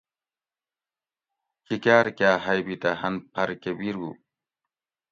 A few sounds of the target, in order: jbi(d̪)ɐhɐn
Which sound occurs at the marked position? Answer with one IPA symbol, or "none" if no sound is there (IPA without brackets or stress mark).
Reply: t̪